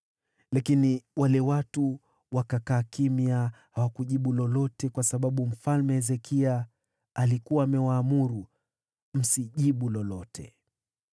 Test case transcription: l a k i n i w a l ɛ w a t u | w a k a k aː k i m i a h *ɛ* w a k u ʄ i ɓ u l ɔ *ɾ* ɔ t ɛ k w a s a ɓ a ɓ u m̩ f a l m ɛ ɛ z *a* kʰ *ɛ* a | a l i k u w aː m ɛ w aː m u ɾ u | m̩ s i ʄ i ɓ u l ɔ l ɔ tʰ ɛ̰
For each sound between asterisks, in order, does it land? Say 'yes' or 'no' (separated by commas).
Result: no, no, no, no